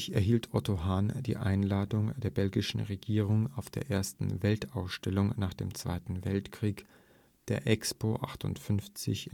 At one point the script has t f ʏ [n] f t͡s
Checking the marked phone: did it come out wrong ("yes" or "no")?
no